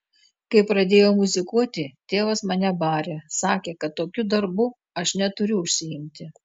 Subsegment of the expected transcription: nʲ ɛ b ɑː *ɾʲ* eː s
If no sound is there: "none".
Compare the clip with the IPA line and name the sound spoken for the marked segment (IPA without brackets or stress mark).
ɾʲ